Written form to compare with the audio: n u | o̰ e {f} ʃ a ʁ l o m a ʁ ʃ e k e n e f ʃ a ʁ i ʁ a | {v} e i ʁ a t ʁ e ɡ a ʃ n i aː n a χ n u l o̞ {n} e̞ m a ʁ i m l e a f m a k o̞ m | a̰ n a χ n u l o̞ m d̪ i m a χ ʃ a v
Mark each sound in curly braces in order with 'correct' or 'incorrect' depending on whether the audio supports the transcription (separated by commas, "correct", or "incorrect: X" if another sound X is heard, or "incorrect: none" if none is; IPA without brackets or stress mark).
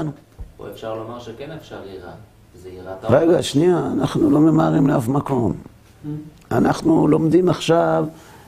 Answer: correct, incorrect: z, incorrect: m